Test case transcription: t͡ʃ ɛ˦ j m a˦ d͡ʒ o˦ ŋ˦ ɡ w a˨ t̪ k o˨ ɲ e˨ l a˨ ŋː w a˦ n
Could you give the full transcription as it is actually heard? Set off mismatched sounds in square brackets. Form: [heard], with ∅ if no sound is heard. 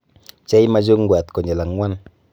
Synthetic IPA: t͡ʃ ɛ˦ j m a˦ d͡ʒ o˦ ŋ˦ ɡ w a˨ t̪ k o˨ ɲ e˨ l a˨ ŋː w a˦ n